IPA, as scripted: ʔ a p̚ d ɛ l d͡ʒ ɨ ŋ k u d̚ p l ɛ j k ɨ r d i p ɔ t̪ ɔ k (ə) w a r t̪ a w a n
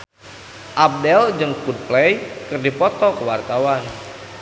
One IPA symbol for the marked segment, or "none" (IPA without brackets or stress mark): ə